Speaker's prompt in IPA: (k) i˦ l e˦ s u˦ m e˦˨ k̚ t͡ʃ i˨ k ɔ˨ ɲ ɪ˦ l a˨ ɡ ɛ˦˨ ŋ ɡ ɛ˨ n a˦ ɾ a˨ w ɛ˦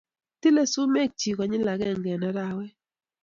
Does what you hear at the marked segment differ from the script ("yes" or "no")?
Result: yes